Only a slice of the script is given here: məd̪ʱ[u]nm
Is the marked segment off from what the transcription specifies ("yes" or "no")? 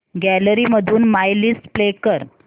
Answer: yes